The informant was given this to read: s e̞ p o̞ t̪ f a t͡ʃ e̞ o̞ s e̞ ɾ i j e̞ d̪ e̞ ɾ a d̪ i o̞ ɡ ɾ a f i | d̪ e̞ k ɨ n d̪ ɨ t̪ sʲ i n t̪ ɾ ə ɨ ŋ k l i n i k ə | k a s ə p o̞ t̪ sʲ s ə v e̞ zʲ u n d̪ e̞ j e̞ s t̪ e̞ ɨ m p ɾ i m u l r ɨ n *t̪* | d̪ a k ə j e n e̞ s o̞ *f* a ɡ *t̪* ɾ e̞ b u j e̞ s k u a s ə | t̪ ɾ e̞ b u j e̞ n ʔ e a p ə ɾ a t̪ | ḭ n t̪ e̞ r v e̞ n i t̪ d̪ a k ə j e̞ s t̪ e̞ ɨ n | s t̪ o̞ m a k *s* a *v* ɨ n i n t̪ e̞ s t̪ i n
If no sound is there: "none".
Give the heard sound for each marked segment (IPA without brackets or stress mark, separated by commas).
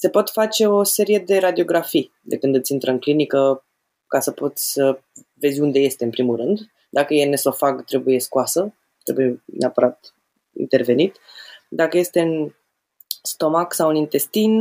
d̪, f, t̪, s, w